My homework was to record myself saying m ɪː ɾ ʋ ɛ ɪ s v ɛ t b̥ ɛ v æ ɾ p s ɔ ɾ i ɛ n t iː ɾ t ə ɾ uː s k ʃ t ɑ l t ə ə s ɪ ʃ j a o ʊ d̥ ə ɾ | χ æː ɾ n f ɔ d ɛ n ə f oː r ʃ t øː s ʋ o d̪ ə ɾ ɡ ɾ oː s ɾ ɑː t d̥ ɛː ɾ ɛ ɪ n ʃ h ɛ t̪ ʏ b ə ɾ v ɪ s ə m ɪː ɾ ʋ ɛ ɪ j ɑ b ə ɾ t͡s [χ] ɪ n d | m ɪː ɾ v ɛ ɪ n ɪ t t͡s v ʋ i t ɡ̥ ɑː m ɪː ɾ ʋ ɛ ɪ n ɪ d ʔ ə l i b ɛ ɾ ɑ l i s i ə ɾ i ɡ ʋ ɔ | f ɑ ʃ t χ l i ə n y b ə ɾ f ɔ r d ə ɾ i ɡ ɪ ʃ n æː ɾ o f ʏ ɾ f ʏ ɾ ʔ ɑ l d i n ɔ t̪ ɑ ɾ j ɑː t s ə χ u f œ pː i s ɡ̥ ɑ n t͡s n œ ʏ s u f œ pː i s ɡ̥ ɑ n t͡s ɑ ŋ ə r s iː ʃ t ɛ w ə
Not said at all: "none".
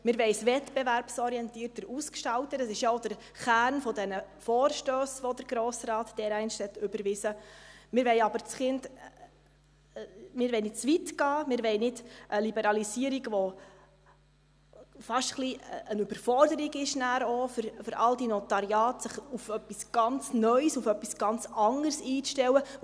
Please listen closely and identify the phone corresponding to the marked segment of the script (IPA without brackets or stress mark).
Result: χ